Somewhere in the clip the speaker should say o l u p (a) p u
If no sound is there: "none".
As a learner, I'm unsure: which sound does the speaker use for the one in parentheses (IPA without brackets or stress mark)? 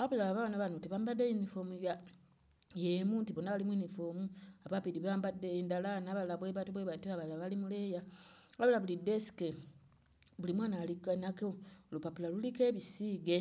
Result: a